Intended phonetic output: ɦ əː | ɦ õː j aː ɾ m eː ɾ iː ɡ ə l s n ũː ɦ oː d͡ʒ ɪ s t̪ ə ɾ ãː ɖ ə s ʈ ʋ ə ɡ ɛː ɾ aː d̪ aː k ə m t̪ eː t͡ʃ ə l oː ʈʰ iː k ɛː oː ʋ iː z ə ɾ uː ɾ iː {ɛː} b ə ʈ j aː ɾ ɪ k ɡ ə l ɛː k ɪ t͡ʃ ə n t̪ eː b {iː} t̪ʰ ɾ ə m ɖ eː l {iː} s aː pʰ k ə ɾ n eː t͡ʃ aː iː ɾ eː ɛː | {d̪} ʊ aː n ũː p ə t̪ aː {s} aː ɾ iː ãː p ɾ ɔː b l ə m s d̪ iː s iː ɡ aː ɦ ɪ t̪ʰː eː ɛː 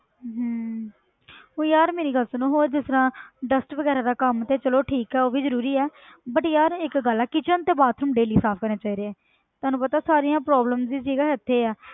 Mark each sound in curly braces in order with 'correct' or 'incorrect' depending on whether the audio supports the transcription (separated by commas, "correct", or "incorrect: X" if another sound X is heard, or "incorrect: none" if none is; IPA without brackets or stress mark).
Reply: correct, incorrect: aː, correct, incorrect: t̪, correct